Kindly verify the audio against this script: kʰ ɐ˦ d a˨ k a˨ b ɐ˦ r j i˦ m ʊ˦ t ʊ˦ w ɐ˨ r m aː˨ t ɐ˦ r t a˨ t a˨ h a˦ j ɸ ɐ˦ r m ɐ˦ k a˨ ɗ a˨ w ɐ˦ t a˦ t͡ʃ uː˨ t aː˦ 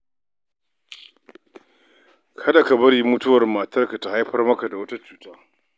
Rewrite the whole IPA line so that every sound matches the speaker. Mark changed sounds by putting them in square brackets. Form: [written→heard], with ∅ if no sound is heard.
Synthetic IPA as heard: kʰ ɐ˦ d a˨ k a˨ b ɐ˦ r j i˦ m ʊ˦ t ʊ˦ w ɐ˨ r m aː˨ t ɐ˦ r [t→k] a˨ t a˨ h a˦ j ɸ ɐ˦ r m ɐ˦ k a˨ [ɗ→d] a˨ w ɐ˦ t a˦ t͡ʃ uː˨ t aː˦